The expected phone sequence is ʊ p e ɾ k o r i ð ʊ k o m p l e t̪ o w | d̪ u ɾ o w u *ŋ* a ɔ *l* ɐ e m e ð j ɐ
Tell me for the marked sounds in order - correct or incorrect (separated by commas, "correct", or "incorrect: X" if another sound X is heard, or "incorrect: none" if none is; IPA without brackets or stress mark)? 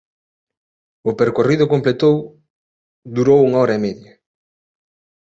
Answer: correct, incorrect: ɾ